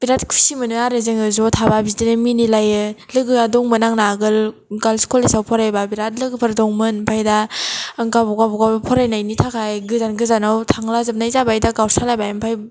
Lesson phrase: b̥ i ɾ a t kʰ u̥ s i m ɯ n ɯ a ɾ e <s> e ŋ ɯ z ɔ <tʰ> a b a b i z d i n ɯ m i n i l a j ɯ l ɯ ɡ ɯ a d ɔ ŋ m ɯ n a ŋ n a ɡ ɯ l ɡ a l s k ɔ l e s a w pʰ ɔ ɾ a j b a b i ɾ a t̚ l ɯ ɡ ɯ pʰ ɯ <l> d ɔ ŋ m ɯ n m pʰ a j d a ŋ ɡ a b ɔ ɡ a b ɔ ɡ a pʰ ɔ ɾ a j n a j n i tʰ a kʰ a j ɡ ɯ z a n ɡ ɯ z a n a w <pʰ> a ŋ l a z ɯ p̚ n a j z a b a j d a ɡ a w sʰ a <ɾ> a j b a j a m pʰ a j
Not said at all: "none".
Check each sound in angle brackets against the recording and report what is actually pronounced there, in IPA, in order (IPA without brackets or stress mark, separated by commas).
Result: z, tʰ, ɾ, tʰ, l